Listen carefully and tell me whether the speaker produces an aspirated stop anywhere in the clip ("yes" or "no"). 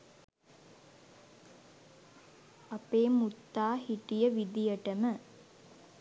no